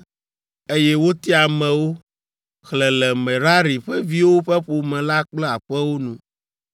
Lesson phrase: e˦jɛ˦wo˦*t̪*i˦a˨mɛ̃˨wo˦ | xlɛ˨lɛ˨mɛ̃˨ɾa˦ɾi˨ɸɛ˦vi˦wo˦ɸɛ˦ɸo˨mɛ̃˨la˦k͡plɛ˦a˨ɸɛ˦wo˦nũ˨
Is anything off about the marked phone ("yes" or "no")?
no